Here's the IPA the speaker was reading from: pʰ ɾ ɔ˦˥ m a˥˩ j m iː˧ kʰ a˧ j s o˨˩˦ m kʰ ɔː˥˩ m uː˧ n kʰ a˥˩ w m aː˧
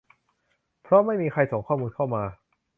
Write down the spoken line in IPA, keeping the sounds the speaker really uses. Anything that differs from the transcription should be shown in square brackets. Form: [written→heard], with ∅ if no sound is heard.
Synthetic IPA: pʰ ɾ ɔ˦˥ m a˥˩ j m iː˧ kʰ a˧ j s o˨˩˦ [m→ŋ] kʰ ɔː˥˩ m uː˧ n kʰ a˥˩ w m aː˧